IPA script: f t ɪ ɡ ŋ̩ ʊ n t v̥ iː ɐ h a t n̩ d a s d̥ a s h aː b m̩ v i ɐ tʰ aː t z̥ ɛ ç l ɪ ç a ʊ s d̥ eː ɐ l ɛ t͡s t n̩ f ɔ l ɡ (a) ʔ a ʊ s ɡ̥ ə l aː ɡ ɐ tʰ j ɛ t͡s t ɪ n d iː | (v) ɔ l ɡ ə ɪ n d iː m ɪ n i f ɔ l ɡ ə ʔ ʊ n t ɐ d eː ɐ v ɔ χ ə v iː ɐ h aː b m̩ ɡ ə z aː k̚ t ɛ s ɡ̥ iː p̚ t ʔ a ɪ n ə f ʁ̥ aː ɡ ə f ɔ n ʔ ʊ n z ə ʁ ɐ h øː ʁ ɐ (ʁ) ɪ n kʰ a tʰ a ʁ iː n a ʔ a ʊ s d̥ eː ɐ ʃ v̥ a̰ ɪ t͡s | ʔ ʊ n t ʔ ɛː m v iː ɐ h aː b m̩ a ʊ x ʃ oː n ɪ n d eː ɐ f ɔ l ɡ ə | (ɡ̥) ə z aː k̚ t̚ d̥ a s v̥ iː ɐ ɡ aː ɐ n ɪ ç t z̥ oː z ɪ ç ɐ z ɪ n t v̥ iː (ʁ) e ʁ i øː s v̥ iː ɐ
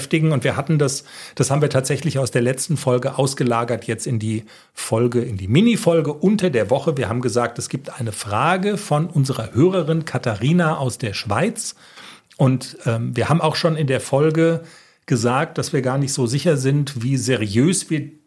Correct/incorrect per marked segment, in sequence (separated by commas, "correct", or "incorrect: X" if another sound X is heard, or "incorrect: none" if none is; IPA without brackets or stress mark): incorrect: ə, incorrect: f, correct, correct, incorrect: z